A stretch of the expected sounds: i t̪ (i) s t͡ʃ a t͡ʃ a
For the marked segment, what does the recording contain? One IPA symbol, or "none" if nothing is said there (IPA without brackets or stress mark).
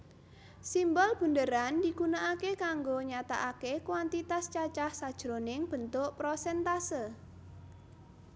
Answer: a